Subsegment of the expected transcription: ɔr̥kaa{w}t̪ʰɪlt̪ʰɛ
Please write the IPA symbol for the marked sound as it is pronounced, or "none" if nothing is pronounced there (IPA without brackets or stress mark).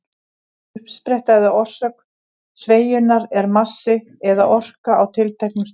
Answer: w